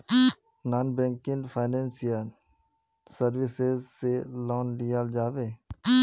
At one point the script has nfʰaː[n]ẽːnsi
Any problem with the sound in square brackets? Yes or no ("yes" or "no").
no